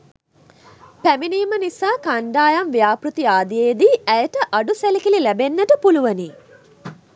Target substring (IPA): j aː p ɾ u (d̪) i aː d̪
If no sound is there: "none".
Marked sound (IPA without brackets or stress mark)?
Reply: t̪